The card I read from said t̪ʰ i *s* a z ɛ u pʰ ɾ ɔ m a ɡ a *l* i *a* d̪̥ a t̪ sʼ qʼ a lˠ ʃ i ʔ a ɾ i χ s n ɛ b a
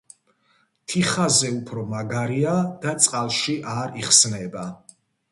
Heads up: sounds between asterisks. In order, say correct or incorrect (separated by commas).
incorrect, incorrect, correct